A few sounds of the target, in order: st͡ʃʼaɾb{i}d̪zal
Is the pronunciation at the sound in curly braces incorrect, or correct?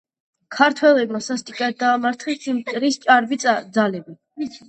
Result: correct